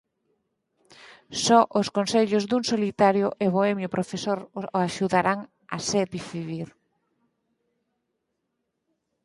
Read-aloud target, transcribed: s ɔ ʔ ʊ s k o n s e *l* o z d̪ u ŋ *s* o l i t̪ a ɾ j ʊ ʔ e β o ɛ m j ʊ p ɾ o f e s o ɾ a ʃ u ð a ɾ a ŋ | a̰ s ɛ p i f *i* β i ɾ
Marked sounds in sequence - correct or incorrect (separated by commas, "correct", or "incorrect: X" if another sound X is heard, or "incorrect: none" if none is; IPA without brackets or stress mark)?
incorrect: ʎ, correct, correct